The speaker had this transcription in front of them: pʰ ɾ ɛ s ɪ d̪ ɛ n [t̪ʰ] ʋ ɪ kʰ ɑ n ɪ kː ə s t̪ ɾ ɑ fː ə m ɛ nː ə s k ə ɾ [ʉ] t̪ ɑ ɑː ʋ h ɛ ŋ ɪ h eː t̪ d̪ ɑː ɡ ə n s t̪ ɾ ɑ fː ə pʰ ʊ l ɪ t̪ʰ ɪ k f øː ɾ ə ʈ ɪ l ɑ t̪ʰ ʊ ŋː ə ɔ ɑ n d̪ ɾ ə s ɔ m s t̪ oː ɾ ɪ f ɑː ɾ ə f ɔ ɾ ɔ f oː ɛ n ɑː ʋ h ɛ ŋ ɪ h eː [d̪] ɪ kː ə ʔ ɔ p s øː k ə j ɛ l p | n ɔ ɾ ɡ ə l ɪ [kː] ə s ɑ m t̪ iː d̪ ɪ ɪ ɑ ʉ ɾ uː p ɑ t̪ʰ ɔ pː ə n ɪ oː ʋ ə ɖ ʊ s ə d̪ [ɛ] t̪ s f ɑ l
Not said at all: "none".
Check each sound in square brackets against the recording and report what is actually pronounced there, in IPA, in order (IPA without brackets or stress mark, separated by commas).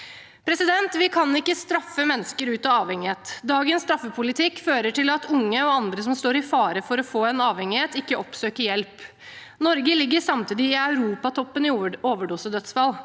t̪, ʉː, t̪, ɡː, œ